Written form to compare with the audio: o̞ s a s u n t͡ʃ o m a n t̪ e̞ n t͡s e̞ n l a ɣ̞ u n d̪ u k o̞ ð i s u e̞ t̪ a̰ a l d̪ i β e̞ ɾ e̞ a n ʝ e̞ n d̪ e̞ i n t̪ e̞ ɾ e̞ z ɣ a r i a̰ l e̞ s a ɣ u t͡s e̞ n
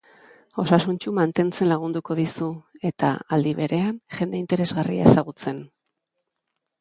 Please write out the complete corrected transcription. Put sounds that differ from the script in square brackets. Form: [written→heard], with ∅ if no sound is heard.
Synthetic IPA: o̞ s a s u n t͡ʃ [o→u] m a n t̪ e̞ n t͡s e̞ n l a ɣ̞ u n d̪ u k o̞ ð i s u e̞ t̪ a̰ a l d̪ i β e̞ ɾ e̞ a n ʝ e̞ n d̪ e̞ i n t̪ e̞ ɾ e̞ z ɣ a r i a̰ [l→∅] e̞ s a ɣ u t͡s e̞ n